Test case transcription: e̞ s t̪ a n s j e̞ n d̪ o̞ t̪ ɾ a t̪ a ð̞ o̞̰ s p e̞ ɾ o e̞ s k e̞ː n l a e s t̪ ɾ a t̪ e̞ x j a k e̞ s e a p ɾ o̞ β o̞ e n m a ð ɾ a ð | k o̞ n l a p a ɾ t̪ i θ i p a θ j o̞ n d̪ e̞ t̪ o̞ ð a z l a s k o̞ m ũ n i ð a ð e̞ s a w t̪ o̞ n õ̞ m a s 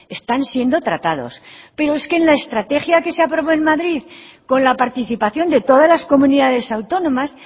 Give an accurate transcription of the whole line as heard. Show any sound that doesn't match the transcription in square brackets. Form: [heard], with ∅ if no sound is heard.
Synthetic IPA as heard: e̞ s t̪ a n s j e̞ n d̪ o̞ t̪ ɾ a t̪ a ð̞ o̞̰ s p e̞ ɾ o e̞ s k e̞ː n l a e s t̪ ɾ a t̪ e̞ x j a k e̞ s e a p ɾ o̞ β o̞ e n m a ð ɾ [i] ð | k o̞ n l a p a ɾ t̪ i θ i p a θ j o̞ n d̪ e̞ t̪ o̞ ð a z l a s k o̞ m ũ n i ð a ð e̞ s a w t̪ o̞ n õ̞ m a s

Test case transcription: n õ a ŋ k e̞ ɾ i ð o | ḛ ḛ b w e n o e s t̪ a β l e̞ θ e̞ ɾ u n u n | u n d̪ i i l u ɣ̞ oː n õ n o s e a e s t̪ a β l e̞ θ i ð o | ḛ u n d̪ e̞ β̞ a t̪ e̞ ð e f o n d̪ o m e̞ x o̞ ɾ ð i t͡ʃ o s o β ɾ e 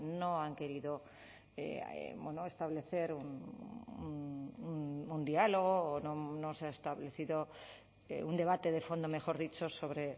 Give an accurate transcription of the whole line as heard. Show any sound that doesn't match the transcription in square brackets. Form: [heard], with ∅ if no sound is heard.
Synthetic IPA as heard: n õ a ŋ k e̞ ɾ i ð o | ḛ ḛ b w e n o e s t̪ a β l e̞ θ e̞ ɾ u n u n | u n d̪ i [a] l [o] ɣ̞ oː n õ n o s e a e s t̪ a β l e̞ θ i ð o | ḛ u n d̪ e̞ β̞ a t̪ e̞ ð e f o n d̪ o m e̞ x o̞ ɾ ð i t͡ʃ o s o β ɾ e

